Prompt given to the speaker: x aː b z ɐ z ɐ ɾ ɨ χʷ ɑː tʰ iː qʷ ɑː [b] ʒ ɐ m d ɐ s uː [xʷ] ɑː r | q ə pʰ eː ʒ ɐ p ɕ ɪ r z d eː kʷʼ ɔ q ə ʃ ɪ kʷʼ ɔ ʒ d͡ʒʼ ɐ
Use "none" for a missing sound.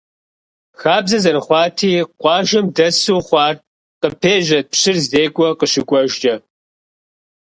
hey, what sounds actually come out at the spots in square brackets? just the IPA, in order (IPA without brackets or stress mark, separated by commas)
none, χʷ